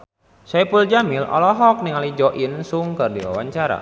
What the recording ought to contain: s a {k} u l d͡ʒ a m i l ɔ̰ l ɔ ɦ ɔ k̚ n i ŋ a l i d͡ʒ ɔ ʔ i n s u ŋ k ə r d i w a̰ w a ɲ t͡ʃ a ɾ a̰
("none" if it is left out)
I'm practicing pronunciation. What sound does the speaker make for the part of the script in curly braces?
p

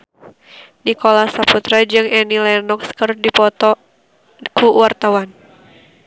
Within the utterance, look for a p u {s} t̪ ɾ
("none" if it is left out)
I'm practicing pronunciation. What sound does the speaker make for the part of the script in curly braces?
none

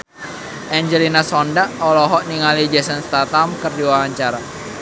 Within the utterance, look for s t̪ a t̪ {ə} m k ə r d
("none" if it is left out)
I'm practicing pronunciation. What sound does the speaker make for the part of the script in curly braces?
a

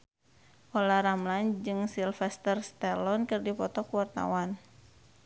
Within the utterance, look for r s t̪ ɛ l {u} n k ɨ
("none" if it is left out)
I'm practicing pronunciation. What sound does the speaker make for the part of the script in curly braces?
ɔ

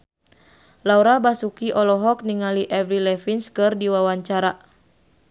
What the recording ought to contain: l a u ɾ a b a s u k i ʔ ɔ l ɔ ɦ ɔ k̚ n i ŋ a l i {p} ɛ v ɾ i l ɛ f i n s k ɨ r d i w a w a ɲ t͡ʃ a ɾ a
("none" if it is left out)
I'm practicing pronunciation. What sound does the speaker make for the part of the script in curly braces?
ʔ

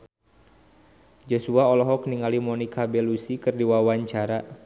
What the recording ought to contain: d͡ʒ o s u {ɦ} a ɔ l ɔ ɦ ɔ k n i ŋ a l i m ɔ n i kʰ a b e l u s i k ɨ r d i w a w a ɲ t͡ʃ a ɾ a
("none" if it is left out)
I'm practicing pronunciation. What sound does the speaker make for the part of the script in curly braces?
none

